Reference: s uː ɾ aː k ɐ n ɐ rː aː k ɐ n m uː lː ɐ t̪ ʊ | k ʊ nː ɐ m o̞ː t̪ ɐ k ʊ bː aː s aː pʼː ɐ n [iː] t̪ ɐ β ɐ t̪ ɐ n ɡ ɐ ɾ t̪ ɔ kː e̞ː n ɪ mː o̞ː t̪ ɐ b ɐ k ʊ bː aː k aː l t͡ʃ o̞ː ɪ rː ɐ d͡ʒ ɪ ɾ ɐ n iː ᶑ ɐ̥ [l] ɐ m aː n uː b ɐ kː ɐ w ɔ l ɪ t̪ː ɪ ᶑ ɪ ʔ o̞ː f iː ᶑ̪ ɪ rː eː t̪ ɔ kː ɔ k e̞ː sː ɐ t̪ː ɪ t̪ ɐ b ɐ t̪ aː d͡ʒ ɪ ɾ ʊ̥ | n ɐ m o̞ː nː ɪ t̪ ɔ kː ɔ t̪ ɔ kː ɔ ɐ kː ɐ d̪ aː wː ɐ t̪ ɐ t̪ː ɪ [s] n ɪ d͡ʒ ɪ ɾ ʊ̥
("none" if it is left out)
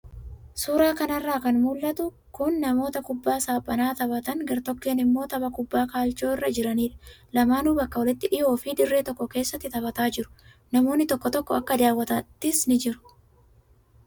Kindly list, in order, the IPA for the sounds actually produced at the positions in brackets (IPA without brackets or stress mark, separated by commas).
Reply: aː, l, s